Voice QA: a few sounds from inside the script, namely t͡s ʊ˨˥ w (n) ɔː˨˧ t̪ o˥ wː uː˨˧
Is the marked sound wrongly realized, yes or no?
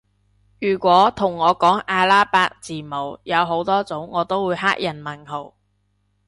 yes